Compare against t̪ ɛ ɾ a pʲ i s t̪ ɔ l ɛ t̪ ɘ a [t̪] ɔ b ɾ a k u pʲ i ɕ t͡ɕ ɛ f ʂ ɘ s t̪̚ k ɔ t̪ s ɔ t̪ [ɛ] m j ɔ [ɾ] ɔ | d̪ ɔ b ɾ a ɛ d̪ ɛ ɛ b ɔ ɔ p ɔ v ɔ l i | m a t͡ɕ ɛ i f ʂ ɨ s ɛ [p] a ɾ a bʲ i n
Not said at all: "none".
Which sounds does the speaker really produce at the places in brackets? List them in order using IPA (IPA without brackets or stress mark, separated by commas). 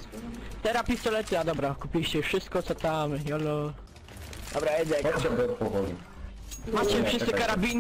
d̪, a, l, k